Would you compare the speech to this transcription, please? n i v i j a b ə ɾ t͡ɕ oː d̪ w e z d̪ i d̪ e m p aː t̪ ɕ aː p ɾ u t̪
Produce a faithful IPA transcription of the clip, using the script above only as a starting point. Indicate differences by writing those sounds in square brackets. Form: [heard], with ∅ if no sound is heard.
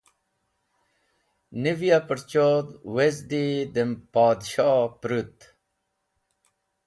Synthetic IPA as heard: n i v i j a [p] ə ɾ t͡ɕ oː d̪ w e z d̪ i d̪ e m p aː [d̪] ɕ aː p ɾ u t̪